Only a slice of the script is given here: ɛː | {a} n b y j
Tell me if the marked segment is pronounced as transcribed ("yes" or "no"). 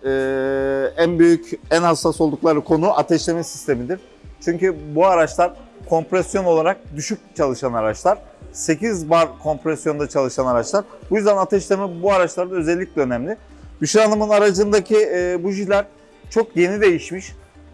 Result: no